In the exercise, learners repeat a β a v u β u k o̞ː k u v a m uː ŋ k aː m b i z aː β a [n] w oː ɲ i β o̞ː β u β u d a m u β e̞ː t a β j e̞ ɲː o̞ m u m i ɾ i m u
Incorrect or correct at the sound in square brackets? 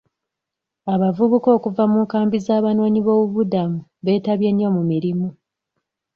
correct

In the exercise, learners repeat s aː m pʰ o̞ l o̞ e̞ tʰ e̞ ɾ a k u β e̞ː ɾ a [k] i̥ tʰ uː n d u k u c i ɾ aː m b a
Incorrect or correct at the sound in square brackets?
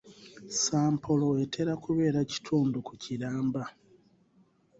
incorrect: c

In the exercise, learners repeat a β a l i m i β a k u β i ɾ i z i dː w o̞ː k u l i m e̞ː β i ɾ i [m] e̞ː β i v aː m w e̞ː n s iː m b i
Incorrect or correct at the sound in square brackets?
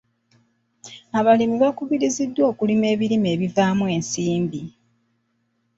correct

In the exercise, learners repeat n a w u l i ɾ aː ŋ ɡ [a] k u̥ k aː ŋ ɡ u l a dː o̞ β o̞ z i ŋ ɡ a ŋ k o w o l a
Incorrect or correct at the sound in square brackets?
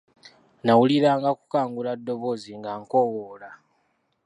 correct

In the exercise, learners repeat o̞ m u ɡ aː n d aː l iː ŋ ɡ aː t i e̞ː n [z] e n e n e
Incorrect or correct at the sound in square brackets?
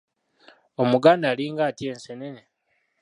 incorrect: s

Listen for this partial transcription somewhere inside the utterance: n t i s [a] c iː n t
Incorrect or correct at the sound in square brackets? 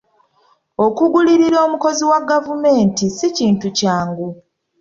incorrect: i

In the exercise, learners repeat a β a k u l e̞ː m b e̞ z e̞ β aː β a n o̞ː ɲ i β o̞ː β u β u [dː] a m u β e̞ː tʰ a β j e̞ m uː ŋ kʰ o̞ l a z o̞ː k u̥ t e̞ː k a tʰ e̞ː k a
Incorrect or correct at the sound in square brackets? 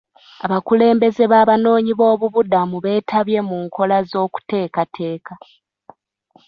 incorrect: d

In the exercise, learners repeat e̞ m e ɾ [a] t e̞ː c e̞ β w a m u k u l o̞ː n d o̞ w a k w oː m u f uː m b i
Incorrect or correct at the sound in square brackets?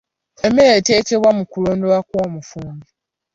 incorrect: e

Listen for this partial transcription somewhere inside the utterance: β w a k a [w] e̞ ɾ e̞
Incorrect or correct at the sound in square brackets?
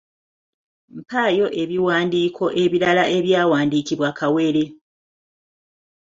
correct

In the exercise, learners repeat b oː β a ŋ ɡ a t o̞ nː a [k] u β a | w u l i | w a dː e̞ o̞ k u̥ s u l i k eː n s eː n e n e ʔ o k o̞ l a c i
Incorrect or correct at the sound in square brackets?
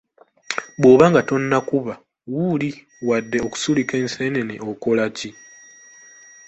correct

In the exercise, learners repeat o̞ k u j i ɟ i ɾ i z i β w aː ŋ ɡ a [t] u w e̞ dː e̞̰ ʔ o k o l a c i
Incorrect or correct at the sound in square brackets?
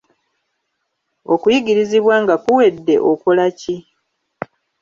incorrect: k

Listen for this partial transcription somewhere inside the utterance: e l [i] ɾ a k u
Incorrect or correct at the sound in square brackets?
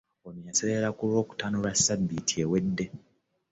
incorrect: e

